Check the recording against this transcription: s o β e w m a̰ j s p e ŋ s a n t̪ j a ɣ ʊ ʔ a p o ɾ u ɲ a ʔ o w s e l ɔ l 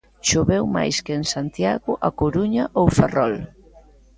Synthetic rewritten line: ʃ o β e w m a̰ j s k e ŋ s a n t̪ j a ɣ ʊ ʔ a k o ɾ u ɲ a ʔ o w f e r ɔ l